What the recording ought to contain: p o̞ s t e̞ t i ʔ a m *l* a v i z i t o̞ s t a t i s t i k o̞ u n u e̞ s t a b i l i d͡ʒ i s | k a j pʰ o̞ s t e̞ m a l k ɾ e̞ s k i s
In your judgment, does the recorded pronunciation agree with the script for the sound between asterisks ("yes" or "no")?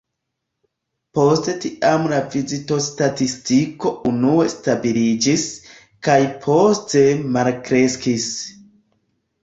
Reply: yes